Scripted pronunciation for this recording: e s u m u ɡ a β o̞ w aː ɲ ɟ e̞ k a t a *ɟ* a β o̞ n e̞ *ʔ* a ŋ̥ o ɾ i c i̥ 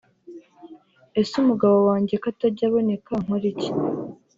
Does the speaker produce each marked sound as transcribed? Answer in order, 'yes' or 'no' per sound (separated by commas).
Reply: yes, no